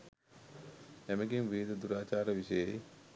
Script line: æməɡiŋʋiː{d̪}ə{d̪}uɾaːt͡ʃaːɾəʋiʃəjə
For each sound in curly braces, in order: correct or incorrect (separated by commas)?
correct, correct